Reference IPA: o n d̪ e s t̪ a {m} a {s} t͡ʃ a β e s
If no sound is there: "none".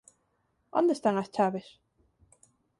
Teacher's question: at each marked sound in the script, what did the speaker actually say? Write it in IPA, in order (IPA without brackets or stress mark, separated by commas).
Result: ŋ, s